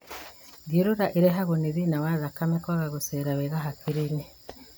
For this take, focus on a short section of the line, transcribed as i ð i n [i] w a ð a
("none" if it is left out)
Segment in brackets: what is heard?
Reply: a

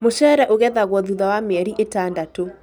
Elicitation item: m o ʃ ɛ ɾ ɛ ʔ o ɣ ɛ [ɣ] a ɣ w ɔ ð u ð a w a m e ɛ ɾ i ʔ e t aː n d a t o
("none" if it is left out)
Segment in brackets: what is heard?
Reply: ð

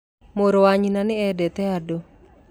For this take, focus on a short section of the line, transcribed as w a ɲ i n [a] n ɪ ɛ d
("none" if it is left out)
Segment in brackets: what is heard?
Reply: a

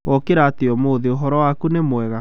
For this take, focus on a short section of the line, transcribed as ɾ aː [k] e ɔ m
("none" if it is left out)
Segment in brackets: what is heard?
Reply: t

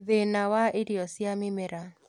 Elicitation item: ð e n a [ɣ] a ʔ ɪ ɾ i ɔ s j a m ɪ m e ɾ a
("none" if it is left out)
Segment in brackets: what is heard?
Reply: w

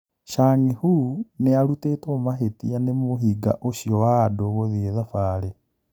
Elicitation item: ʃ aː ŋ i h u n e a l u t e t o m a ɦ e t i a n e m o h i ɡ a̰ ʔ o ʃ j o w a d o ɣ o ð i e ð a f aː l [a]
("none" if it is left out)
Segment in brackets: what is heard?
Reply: e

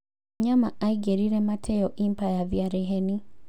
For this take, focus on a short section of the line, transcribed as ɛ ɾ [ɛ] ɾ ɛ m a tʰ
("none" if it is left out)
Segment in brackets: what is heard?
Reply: i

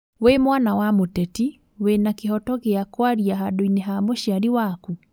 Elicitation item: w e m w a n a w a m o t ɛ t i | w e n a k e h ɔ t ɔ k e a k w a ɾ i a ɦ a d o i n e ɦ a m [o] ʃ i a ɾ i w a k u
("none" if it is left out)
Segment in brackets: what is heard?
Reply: o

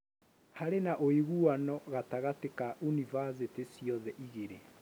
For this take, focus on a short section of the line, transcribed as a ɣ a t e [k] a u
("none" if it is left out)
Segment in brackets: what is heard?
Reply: k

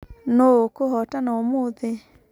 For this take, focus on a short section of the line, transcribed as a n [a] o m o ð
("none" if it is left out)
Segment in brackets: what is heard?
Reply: a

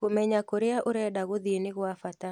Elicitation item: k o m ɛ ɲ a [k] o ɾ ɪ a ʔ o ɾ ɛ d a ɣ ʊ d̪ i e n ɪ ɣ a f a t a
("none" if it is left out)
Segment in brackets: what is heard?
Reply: k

